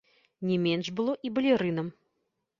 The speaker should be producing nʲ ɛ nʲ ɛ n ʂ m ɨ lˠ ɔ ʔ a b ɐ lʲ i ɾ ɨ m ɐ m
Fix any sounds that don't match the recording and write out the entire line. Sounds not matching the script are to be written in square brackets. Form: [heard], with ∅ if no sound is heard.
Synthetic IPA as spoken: nʲ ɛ [mʲ] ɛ n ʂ [b] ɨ lˠ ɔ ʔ [i] b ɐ lʲ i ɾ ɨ [n] ɐ m